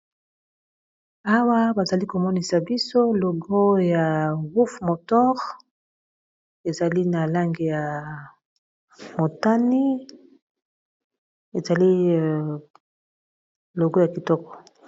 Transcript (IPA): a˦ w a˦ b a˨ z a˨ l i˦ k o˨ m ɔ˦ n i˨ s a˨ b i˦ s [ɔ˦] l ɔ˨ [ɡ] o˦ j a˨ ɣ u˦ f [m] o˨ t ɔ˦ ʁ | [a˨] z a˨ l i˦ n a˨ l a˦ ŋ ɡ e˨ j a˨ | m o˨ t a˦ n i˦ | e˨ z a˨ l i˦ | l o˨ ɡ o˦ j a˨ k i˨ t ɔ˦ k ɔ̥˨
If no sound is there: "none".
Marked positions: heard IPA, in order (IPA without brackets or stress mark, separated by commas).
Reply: o˦, ɡ, m, e˨